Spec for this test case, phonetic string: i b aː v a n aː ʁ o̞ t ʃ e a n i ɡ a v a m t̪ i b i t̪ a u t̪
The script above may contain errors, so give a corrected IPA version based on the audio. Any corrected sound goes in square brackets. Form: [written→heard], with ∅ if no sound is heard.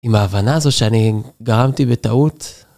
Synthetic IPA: i [b→m] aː v a n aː [ʁ→z] o̞ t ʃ e a n i ɡ a [v→ʁ] a m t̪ i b [i→e] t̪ a u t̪

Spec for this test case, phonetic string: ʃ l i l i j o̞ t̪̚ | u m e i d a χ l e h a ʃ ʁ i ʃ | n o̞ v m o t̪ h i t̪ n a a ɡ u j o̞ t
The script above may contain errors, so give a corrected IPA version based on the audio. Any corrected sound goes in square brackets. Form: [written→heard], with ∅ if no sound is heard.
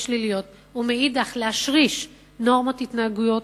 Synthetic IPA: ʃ l i l i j o̞ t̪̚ | u m e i d a χ l e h a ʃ ʁ i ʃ | n o̞ [v→ʁ] m o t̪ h i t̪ n a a ɡ u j o̞ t

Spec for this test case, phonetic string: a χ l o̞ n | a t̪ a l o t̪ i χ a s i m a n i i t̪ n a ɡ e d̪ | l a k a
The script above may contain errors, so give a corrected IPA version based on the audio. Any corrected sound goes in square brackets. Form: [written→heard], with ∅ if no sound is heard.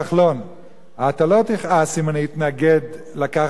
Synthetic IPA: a χ l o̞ n | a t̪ a l o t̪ i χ a s i m a n i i t̪ n a ɡ e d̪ | l a k a

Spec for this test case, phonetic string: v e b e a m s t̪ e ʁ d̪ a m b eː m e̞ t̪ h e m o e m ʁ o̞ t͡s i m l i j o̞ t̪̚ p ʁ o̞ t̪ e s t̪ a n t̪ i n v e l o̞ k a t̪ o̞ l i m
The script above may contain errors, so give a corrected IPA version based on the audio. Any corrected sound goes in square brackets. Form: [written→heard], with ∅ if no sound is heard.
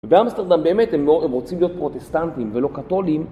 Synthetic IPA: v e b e a m s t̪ e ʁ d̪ a m b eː m e̞ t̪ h e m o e m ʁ o̞ t͡s i m l i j o̞ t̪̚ p ʁ o̞ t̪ e s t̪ a n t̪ i [n→m] v e l o̞ k a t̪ o̞ l i m

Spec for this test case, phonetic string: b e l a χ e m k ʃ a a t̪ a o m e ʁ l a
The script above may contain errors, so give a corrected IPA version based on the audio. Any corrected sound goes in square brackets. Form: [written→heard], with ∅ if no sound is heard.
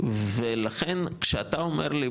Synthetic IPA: [b→v] e l a χ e [m→n] k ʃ [a→e] a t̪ a o m e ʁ l [a→i]

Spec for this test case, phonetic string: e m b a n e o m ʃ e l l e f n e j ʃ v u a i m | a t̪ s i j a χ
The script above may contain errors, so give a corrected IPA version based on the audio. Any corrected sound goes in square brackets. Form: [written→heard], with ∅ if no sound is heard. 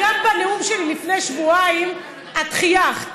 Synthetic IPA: [e→a] m b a n e [o→u] m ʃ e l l [e→i] f n e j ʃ v u a i m | a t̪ [s→χ] i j a χ

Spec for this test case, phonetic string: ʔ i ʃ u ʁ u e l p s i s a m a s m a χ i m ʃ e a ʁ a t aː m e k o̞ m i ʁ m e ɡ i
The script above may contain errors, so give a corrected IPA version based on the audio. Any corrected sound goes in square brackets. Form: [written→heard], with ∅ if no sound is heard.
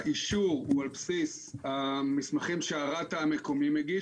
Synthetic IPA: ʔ i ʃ u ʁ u [e→a] l p s i s a m [a→i] s m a χ i m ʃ e a ʁ a t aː m e k o̞ m i [ʁ→∅] m e ɡ i

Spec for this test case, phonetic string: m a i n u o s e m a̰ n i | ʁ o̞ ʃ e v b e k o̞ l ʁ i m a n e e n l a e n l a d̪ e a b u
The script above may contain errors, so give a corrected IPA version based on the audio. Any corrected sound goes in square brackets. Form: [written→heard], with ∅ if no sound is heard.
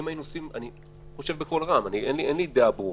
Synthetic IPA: m a i n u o s [e→i] m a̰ n i | [ʁ→χ] o̞ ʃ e v b e k o̞ l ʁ [i→a] m a n [e→i] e n l [a→i] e n l [a→i] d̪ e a b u

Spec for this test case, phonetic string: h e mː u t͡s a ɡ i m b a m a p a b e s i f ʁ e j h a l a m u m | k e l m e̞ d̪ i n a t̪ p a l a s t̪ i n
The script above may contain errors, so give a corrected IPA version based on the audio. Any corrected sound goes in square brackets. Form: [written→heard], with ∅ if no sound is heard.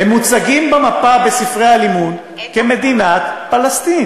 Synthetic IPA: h e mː u t͡s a ɡ i m b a m a p a b e s i f ʁ e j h a l [a→i] m u [m→n] | k e [l→∅] m e̞ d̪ i n a t̪ p a l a s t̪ i n

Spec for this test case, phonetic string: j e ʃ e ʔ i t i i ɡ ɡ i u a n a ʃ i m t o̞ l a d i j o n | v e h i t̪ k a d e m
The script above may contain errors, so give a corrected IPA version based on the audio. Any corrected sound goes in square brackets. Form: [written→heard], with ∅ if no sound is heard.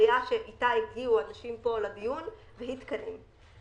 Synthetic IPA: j [e→a] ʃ e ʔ i t [i→a] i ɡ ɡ i u a n a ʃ i m [t→p] o̞ l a d i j [o→u] n | v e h i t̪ k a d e m

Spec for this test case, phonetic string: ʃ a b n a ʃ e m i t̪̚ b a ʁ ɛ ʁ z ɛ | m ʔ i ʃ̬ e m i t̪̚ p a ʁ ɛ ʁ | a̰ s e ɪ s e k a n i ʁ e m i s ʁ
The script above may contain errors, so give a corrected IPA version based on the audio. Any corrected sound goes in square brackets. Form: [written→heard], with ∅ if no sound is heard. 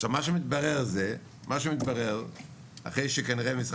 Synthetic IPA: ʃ a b [n→m] a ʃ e m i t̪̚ b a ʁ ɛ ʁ z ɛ | m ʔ [i→a] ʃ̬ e m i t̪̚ [p→b] a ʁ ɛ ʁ | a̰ [s→χ] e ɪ [s→ʃ] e k a n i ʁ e m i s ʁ

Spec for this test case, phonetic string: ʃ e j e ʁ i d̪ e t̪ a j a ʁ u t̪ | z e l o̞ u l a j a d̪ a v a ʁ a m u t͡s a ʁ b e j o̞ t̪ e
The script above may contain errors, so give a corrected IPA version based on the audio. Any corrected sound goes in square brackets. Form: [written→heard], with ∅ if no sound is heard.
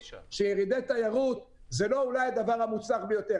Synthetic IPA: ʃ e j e ʁ i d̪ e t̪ a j a ʁ u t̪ | z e l o̞ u l a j a d̪ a v a ʁ a m u t͡s a [ʁ→χ] b e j o̞ t̪ e

